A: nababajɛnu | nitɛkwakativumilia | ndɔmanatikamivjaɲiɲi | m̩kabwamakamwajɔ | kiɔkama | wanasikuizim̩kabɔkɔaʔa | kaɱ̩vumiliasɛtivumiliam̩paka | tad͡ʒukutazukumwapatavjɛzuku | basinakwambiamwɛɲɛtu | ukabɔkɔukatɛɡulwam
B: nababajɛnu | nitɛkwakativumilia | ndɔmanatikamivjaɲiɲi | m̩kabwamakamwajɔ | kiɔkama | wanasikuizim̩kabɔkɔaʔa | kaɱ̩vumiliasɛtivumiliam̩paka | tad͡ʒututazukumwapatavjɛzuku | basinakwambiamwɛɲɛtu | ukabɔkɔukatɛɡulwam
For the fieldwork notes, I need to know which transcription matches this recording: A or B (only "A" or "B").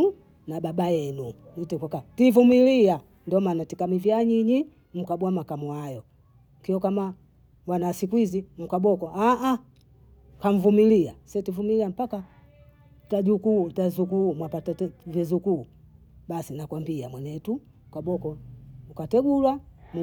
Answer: A